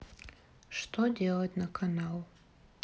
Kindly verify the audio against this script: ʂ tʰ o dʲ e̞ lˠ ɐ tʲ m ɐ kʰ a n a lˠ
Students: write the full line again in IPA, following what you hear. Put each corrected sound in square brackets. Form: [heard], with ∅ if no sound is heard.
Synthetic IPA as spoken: ʂ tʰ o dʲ e̞ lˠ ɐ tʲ [n] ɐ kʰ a n a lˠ